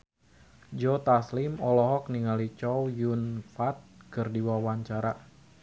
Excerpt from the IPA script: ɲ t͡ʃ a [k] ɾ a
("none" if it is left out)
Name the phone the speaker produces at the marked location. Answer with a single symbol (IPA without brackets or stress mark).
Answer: none